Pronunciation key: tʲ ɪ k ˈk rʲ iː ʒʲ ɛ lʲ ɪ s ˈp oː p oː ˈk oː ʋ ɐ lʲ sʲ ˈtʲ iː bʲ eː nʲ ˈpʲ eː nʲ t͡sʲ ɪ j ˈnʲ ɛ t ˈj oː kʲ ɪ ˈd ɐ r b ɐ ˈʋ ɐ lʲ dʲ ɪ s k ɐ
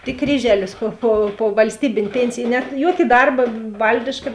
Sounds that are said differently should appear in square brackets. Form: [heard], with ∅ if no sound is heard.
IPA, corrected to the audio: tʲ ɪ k ˈk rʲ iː ʒʲ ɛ lʲ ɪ s ˈp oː p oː [ˈp] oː ʋ ɐ lʲ sʲ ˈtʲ iː bʲ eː nʲ ˈpʲ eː nʲ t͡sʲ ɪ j ˈnʲ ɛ t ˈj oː kʲ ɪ ˈd ɐ r b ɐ ˈʋ ɐ lʲ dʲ ɪ [ʃ] k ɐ